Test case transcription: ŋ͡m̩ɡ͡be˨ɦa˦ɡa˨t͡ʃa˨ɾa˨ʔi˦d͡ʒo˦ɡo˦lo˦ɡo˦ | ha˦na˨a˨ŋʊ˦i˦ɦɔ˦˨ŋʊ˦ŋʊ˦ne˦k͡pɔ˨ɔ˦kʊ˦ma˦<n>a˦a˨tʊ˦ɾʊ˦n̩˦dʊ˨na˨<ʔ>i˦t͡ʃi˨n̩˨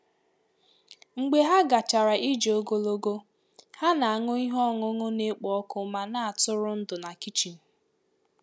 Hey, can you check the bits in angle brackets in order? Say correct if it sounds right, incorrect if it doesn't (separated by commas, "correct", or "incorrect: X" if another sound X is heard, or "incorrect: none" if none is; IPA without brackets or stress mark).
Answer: correct, incorrect: k